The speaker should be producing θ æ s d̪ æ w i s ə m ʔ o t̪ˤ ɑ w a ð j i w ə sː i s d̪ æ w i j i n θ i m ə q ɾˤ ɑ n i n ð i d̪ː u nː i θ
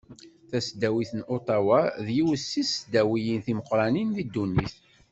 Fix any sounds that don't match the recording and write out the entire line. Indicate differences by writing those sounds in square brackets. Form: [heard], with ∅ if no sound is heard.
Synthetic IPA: θ æ s d̪ æ w i [θ] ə [n] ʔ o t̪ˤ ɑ w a ð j i w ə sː i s d̪ æ w i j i n θ i m ə q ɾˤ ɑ n i n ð i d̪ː u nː i θ